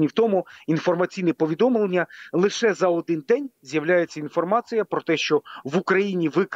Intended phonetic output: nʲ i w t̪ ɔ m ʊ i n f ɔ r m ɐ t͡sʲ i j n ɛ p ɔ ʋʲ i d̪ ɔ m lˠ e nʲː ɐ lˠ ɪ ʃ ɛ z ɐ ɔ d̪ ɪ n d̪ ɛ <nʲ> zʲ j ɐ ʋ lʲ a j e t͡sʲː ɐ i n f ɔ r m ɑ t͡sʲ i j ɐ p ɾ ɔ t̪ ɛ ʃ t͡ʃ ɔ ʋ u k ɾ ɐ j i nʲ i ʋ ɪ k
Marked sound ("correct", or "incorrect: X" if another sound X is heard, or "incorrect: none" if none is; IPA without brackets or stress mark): correct